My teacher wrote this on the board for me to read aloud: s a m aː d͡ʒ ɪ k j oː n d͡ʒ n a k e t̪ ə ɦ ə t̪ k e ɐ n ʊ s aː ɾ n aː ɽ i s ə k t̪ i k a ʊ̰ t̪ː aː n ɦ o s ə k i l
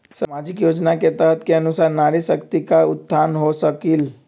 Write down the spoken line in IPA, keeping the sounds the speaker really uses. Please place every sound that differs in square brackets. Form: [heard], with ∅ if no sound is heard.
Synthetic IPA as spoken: s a m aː d͡ʒ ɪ k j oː [∅] d͡ʒ n a k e t̪ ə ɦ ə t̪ k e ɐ n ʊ s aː ɾ n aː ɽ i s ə k t̪ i k a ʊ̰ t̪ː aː n ɦ o s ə k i l